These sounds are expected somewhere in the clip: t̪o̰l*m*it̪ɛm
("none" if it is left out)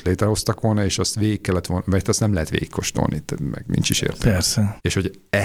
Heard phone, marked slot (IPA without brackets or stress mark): n